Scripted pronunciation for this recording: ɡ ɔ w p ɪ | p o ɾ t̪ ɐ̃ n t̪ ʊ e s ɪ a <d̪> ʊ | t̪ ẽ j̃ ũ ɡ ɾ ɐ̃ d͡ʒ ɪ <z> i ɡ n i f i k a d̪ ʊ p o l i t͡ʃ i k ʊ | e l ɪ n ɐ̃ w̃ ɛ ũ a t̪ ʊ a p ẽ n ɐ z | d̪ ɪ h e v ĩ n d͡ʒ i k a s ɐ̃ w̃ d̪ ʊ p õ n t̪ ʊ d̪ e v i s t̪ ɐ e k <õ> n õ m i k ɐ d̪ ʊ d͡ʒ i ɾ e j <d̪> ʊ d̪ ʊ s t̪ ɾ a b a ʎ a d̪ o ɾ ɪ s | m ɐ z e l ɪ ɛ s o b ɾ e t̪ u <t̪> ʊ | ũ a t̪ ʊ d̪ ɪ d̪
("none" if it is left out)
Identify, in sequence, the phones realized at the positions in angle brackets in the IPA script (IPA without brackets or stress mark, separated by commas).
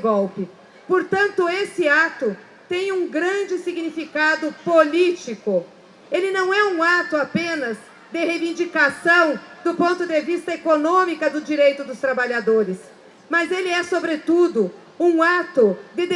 t̪, s, o, t̪, d̪